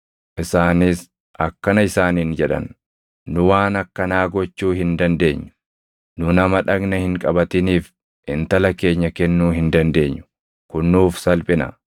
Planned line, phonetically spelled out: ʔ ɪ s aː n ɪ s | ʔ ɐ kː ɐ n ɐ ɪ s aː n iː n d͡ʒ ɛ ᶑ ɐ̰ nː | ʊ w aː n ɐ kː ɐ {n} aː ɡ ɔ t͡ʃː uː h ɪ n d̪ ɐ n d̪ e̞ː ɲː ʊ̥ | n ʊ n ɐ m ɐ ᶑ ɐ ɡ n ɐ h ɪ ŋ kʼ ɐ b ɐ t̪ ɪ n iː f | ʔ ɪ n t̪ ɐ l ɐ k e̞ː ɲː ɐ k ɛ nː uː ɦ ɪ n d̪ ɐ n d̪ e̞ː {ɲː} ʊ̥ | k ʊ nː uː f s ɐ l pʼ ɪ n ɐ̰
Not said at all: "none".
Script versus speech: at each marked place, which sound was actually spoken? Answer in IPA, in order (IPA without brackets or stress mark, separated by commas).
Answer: n, ɲː